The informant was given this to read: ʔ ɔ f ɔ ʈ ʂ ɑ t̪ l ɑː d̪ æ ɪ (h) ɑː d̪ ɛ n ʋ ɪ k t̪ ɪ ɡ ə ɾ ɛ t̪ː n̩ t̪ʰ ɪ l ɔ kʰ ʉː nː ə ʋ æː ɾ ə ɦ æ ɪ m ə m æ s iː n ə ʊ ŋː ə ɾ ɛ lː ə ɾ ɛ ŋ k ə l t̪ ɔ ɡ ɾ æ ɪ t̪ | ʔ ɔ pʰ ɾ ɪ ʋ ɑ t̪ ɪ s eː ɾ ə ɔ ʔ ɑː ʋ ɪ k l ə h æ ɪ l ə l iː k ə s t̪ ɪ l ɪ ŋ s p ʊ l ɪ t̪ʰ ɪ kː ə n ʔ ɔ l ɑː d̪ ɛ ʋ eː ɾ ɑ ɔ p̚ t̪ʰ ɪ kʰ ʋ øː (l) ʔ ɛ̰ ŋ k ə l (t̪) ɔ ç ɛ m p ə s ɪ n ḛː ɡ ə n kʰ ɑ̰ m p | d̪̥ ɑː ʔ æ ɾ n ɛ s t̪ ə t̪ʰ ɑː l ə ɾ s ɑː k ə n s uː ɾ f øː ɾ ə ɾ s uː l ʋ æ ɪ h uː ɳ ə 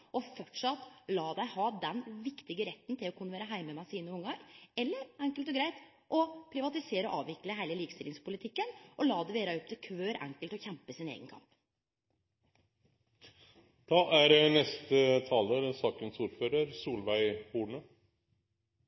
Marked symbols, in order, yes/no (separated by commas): yes, no, yes